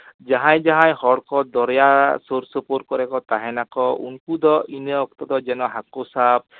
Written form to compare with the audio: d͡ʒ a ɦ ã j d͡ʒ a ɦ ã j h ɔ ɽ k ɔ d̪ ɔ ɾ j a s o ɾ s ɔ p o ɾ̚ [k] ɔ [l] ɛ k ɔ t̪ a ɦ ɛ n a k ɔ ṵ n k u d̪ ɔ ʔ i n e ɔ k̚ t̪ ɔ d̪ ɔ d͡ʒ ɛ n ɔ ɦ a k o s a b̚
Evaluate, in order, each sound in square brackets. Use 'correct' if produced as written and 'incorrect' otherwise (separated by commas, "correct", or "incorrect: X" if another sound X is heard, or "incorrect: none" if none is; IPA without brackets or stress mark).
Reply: correct, incorrect: ɾ